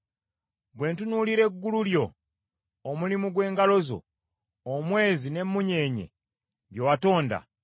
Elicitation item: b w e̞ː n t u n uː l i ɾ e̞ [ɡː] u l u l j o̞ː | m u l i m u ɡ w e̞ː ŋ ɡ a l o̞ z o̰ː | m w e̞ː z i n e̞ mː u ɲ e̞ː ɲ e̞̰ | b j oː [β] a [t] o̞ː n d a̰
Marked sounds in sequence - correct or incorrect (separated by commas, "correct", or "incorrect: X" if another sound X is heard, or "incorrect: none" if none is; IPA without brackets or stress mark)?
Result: correct, incorrect: w, correct